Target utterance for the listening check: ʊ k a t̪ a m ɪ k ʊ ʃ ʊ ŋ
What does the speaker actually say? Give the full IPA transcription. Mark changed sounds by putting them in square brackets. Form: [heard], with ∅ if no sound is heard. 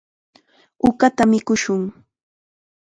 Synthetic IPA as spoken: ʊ k a t̪ a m ɪ k ʊ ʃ ʊ ŋ